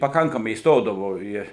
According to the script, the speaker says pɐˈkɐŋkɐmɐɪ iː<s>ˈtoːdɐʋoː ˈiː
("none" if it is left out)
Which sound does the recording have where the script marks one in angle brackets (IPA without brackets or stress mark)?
s